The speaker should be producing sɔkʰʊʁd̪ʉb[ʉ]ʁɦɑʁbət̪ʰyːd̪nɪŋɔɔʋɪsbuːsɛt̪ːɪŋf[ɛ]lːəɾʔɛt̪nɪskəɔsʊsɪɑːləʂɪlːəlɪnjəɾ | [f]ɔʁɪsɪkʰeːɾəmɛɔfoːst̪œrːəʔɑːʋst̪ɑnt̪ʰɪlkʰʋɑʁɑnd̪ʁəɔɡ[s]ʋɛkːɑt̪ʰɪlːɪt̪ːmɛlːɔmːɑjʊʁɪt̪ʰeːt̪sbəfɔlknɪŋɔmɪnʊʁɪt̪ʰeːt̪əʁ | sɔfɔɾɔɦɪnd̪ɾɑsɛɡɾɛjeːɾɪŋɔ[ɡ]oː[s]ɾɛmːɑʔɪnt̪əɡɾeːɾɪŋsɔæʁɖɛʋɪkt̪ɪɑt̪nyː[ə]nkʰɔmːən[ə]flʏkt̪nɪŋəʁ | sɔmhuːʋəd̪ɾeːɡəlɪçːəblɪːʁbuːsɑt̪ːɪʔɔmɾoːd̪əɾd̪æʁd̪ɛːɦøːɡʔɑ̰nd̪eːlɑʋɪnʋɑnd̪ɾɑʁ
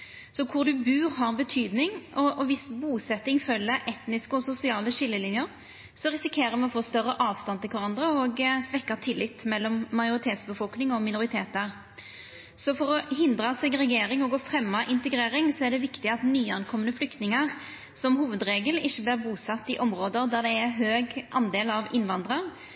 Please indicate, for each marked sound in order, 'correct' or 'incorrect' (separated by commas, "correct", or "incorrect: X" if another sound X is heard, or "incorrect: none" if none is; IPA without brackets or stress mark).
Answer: incorrect: ʉː, incorrect: œ, incorrect: s, correct, correct, incorrect: f, incorrect: ɑ, correct